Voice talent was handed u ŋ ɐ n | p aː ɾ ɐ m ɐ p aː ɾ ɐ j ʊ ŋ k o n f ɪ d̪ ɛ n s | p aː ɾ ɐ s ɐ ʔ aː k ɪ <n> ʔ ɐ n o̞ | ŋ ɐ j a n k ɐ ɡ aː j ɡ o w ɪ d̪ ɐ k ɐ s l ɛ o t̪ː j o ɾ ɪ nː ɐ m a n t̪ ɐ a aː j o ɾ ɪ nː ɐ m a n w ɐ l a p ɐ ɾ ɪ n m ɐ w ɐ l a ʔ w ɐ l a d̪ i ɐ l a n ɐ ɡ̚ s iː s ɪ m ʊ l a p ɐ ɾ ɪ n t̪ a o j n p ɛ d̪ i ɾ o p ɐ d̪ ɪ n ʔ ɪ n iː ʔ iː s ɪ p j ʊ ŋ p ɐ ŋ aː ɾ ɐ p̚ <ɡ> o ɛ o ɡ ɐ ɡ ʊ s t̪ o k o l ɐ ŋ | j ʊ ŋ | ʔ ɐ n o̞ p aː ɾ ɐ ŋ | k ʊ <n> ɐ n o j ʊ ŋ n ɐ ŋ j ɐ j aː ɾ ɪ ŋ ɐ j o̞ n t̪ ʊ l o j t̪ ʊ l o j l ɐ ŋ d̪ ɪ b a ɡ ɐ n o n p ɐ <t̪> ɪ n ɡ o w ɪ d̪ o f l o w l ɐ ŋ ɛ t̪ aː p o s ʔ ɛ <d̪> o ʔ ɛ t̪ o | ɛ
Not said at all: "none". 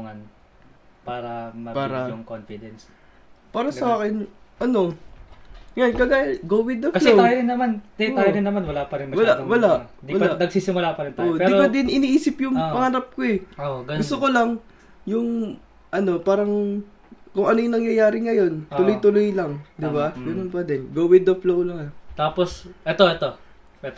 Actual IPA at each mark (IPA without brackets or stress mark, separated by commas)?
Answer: n, k, ŋ, d̪, t̪